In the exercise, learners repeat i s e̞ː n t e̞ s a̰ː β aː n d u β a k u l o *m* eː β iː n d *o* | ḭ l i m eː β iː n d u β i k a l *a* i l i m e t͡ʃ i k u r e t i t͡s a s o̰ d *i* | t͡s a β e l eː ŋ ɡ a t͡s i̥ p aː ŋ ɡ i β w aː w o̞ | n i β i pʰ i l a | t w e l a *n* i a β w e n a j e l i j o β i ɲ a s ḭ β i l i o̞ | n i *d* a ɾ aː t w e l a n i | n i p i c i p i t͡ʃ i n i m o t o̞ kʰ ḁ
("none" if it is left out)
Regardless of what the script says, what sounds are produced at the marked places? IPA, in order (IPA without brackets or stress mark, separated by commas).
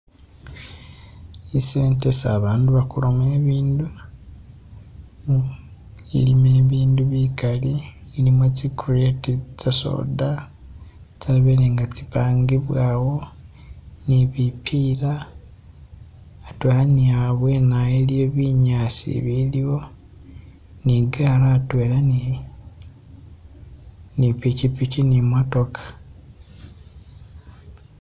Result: m, u, i, a, n, ɡ